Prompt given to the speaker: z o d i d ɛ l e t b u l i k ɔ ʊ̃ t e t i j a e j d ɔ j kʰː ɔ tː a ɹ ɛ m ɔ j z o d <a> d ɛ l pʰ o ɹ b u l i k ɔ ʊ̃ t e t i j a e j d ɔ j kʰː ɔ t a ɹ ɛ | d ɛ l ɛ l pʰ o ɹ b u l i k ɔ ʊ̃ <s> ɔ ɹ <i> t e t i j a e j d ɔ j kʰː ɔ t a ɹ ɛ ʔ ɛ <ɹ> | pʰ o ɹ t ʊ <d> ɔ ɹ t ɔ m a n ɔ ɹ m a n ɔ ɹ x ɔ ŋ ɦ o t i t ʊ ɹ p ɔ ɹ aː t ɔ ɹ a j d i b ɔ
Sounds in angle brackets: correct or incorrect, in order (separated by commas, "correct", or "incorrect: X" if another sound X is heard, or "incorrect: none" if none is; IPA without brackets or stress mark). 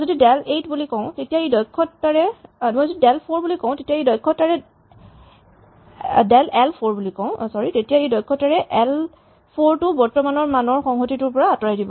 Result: incorrect: i, correct, correct, incorrect: l, incorrect: b